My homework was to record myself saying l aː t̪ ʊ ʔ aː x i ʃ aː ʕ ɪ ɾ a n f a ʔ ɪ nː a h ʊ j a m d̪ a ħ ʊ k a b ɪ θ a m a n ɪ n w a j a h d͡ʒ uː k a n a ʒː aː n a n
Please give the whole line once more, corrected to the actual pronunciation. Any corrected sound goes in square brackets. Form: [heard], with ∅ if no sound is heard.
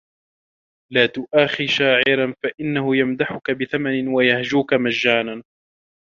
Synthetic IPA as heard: l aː t̪ ʊ ʔ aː x i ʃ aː ʕ ɪ ɾ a n f a ʔ ɪ nː a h ʊ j a m d̪ a ħ ʊ k a b ɪ θ a m a n ɪ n w a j a h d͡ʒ uː k a [m] a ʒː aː n a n